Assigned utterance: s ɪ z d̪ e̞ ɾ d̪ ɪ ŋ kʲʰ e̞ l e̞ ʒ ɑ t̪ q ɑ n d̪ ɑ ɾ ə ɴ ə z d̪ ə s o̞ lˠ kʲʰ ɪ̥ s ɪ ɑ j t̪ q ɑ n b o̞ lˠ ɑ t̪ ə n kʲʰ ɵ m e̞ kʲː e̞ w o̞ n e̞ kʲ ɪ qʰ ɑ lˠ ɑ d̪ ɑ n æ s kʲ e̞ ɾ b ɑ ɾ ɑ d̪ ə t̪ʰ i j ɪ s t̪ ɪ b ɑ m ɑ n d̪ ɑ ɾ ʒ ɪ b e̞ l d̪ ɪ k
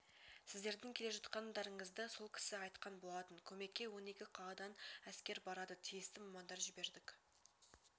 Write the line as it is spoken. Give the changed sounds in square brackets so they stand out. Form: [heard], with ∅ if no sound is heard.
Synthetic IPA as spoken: s ɪ z d̪ e̞ ɾ d̪ ɪ ŋ kʲʰ e̞ l e̞ ʒ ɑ t̪ q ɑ n d̪ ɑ ɾ ə ɴ ə z d̪ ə s o̞ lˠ kʲʰ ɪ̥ s ɪ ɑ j t̪ q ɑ n b o̞ lˠ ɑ t̪ ə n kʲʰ ɵ m e̞ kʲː e̞ w o̞ n e̞ kʲ ɪ qʰ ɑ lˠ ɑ d̪ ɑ n æ s kʲ e̞ ɾ b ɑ ɾ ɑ d̪ ə t̪ʰ i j ɪ s t̪ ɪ [m] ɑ m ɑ n d̪ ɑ ɾ ʒ ɪ b e̞ [ɾ] d̪ ɪ k

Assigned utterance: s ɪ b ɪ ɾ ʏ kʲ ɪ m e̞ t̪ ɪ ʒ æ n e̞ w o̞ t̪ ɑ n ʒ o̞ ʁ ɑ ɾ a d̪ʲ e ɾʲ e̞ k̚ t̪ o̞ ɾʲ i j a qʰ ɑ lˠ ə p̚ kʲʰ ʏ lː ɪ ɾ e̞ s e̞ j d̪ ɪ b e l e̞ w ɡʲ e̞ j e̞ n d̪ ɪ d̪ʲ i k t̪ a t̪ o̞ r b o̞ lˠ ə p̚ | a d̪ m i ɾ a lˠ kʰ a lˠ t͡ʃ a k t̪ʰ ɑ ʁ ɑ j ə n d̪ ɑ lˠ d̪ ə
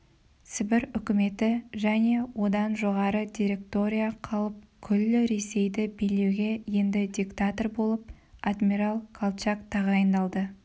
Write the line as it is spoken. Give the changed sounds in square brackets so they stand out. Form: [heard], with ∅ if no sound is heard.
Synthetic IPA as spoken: s ɪ b ɪ ɾ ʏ kʲ ɪ m e̞ t̪ ɪ ʒ æ n e̞ w o̞ [d̪] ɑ n ʒ o̞ ʁ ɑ ɾ [ə] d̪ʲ [i] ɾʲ e̞ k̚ t̪ o̞ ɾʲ i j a qʰ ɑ lˠ ə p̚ kʲʰ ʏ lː ɪ ɾ e̞ s e̞ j d̪ ɪ b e l e̞ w ɡʲ e̞ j e̞ n d̪ ɪ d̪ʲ i k t̪ a t̪ o̞ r b o̞ lˠ ə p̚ | a d̪ m i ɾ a lˠ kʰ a lˠ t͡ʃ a k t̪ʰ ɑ ʁ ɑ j ə n d̪ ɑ lˠ d̪ ə

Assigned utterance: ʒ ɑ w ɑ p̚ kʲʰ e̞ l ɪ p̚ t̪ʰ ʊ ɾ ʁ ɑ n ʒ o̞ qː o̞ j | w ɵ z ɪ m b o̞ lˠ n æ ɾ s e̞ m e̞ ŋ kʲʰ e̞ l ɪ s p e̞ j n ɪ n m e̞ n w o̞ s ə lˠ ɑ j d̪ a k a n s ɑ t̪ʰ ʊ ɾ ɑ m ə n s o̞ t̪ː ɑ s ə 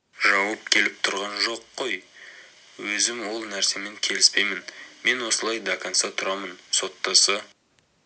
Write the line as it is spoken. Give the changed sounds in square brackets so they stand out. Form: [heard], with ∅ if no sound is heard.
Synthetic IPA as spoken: ʒ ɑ w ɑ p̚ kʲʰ e̞ l ɪ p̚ t̪ʰ ʊ ɾ ʁ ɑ n ʒ o̞ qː o̞ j | w ɵ z ɪ m [w] o̞ lˠ n æ ɾ s e̞ m e̞ ŋ kʲʰ e̞ l ɪ s p e̞ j [m] ɪ n m e̞ n w o̞ s ə lˠ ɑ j d̪ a k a n s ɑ t̪ʰ ʊ ɾ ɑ m ə n s o̞ t̪ː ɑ s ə

